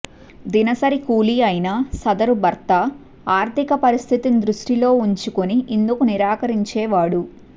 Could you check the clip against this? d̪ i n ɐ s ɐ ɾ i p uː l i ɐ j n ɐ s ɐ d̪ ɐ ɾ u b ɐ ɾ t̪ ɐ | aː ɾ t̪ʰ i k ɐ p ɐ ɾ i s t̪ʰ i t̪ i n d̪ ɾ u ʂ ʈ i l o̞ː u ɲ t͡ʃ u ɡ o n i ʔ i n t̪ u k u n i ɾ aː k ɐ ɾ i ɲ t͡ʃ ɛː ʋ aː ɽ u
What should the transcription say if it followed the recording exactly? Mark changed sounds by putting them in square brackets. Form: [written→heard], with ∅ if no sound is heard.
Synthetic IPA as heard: d̪ i n ɐ s ɐ ɾ i [p→k] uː l i ɐ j n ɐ s ɐ d̪ ɐ ɾ u b ɐ ɾ t̪ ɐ | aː ɾ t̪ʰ i k ɐ p ɐ ɾ i s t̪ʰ i t̪ i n d̪ ɾ u ʂ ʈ i l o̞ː u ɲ t͡ʃ u [ɡ→k] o n i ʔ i n [t̪→d̪] u k u n i ɾ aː k ɐ ɾ i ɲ t͡ʃ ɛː ʋ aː ɽ u